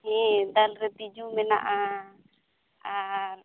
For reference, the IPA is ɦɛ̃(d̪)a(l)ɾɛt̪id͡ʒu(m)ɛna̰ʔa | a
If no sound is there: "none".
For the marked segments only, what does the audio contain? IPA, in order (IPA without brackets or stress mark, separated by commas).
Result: d̪, l, m